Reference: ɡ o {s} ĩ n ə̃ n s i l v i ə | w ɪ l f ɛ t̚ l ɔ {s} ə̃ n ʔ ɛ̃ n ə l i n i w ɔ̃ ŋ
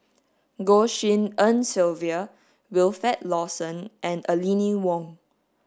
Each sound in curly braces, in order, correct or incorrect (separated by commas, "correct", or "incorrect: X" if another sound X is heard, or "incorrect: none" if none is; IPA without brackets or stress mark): incorrect: ʃ, correct